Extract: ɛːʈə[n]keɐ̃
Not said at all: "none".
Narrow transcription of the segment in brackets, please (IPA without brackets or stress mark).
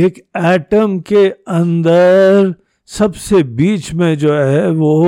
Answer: m